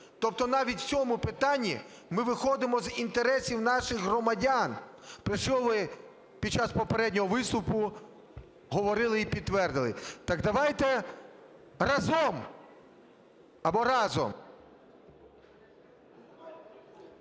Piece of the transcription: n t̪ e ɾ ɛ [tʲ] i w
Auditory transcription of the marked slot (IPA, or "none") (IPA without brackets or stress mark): sʲ